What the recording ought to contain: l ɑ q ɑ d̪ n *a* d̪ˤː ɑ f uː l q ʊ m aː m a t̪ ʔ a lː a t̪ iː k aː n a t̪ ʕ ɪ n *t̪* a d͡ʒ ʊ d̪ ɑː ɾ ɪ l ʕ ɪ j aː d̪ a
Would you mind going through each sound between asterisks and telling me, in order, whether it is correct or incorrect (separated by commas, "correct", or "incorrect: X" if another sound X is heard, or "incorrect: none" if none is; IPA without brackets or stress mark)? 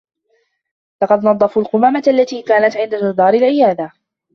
incorrect: ɑ, incorrect: d̪